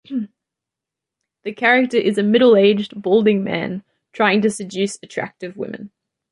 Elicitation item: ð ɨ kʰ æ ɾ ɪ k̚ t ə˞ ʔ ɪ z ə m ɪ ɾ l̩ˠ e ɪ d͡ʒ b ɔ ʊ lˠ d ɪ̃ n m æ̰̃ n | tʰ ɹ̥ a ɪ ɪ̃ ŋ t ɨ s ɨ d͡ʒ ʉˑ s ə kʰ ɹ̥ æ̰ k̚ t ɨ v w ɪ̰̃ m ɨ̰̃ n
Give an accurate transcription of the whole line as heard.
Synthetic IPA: ð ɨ kʰ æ ɹ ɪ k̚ t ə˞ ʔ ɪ z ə m ɪ ɾ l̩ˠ e ɪ d͡ʒ b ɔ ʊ lˠ d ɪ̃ ŋ m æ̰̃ n | tʰ ɹ̥ a ɪ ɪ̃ ŋ t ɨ s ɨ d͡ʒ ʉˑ s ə tʰ ɹ̥ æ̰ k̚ t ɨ v w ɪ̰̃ m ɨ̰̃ n